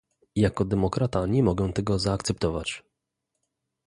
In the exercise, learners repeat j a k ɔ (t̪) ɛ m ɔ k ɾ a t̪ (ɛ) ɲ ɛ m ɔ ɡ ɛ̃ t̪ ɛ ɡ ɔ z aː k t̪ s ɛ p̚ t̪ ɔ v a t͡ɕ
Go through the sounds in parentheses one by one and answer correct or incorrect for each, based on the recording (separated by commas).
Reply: incorrect, incorrect